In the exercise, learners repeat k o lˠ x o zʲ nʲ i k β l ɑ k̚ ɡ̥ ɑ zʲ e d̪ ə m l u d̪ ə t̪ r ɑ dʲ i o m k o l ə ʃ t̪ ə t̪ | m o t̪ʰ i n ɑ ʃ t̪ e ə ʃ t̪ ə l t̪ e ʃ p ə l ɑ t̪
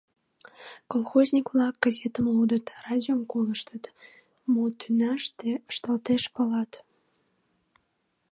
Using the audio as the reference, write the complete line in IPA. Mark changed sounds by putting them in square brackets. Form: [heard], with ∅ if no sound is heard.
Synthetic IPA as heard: k o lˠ x o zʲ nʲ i k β l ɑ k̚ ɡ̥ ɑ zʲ e [t̪] ə m l u d̪ ə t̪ r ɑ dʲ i o m k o l ə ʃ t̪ ə t̪ | m o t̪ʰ [y] n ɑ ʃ t̪ e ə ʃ t̪ ə l t̪ e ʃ p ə l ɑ t̪